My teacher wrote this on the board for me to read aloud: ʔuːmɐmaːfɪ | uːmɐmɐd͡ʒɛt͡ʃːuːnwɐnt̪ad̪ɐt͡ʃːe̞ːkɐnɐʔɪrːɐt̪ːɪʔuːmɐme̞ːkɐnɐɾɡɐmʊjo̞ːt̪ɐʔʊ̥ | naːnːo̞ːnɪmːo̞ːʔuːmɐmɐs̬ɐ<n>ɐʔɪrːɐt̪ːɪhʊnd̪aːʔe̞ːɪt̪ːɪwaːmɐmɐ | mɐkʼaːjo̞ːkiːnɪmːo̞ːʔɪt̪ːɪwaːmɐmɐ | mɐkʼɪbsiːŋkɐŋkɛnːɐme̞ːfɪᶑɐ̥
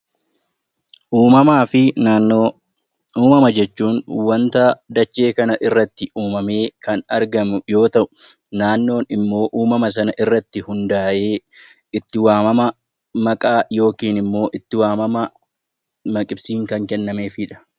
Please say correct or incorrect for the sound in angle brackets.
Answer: correct